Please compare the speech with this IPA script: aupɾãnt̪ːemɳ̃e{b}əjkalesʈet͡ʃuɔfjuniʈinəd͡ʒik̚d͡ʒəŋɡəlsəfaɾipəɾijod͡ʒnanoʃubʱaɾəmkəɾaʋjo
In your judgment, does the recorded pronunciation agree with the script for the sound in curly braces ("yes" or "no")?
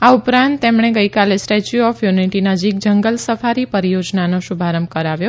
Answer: no